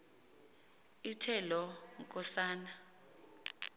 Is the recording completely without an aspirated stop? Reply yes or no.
no